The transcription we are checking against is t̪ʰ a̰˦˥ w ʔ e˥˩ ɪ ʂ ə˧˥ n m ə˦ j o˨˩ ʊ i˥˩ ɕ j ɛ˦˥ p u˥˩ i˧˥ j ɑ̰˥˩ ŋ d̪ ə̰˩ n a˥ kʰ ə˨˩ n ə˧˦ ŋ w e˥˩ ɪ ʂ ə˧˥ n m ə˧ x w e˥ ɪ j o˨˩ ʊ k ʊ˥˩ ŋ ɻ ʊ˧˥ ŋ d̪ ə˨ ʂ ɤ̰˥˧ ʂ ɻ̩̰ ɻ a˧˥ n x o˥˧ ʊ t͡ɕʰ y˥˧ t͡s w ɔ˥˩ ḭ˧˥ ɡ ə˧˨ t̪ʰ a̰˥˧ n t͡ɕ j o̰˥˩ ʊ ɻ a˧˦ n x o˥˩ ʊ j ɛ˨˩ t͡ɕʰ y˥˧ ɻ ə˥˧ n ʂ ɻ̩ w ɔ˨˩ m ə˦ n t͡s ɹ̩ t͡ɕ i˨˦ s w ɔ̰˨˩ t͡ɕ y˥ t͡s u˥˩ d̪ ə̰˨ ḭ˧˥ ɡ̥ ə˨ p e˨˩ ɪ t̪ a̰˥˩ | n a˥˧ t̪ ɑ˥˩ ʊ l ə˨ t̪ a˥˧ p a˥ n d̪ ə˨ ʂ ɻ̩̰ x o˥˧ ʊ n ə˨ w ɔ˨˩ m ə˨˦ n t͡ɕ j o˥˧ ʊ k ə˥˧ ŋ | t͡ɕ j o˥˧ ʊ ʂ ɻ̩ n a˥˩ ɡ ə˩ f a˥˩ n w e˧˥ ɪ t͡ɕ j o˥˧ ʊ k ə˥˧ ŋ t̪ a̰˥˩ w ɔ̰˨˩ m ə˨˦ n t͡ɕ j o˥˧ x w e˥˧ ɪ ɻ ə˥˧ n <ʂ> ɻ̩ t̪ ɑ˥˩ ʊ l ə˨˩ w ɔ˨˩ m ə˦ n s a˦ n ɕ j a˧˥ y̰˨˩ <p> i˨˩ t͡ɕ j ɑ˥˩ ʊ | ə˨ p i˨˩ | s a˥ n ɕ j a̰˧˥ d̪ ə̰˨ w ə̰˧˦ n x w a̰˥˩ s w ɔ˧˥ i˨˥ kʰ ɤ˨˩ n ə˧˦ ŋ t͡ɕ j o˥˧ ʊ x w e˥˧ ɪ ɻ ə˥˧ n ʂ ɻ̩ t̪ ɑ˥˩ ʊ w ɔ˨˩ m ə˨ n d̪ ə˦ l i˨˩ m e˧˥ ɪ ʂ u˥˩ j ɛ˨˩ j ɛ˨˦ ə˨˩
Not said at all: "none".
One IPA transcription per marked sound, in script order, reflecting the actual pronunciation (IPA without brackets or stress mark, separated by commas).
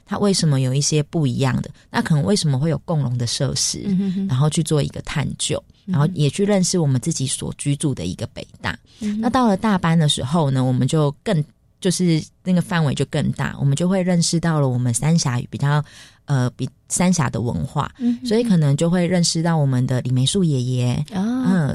ʂ, p